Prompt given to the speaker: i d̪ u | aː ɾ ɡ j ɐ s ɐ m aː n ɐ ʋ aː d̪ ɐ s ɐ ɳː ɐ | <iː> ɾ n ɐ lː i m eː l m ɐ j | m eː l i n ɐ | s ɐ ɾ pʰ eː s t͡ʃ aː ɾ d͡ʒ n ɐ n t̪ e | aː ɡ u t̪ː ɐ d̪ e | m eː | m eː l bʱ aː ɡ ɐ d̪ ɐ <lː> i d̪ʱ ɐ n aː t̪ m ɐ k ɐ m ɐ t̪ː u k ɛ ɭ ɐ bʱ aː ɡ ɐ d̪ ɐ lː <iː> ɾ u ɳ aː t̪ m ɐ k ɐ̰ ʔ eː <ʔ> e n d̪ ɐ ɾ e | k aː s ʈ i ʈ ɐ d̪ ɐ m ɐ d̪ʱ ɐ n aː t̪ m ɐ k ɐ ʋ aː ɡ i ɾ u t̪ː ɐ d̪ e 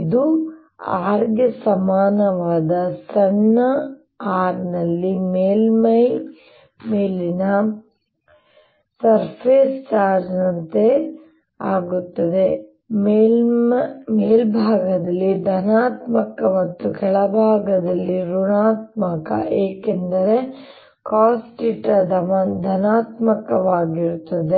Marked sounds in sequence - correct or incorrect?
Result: incorrect: aː, correct, incorrect: i, incorrect: k

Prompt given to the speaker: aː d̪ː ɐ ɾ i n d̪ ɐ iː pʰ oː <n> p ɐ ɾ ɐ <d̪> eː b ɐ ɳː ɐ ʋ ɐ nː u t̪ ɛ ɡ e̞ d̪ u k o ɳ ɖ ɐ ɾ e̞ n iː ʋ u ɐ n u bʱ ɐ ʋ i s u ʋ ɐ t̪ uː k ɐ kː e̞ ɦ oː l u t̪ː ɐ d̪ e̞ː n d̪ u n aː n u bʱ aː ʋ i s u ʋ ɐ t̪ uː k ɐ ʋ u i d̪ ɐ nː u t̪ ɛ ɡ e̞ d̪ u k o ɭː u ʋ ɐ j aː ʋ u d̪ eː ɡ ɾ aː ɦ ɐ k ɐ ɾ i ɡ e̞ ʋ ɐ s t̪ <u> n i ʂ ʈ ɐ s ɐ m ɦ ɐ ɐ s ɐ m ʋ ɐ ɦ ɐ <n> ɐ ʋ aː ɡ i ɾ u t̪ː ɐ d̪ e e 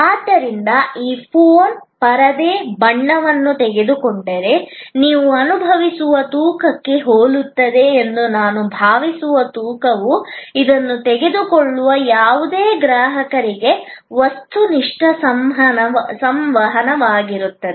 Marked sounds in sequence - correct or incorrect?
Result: correct, correct, correct, correct

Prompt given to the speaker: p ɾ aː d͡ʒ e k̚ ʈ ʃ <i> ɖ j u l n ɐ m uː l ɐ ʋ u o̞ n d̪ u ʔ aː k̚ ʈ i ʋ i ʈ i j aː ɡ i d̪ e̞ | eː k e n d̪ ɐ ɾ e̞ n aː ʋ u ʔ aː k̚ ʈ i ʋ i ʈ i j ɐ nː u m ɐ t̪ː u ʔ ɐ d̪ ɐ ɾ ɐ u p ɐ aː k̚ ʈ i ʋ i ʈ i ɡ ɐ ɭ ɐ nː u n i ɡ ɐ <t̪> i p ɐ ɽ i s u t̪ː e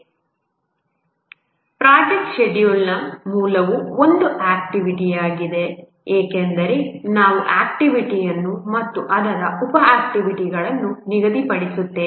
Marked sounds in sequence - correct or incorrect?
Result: incorrect: e, incorrect: d̪

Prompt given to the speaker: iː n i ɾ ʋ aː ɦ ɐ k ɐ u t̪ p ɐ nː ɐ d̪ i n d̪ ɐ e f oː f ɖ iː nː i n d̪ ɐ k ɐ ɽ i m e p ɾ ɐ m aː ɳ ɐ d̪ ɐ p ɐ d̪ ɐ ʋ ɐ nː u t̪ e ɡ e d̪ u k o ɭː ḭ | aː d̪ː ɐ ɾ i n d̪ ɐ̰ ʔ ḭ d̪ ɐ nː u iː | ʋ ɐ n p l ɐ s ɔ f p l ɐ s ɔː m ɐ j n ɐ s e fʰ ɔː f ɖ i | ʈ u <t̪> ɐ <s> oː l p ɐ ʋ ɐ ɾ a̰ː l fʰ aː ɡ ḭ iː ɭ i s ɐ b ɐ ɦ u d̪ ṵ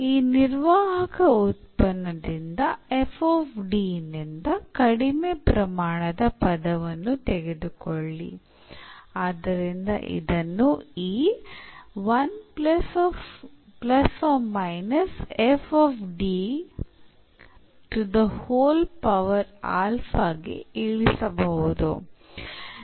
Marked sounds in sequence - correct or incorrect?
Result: incorrect: d̪, incorrect: h

